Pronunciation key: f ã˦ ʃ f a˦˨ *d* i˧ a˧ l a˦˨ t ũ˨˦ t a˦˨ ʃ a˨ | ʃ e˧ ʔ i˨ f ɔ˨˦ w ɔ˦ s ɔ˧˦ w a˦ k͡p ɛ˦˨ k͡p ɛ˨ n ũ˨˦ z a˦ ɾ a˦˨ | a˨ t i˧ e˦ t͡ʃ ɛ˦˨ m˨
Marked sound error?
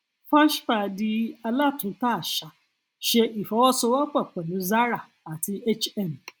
no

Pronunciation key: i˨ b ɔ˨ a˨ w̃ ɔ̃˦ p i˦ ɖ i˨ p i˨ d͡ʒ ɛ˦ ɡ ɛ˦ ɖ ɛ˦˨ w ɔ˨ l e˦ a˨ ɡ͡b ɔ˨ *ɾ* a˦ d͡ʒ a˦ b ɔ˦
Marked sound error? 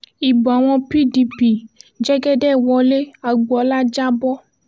yes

